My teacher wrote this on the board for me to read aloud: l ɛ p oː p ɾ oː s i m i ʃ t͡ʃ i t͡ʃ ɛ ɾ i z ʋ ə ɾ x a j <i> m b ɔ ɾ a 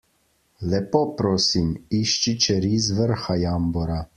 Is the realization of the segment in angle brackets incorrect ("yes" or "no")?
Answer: yes